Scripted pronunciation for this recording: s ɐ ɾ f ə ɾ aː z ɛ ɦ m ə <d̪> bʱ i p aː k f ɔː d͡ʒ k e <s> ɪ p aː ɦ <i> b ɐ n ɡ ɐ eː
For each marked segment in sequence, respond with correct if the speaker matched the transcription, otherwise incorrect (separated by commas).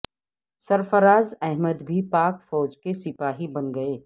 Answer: correct, correct, correct